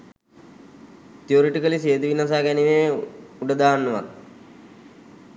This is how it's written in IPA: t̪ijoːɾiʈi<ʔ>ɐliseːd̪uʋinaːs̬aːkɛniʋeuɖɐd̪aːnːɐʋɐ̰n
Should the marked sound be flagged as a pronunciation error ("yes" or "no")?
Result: yes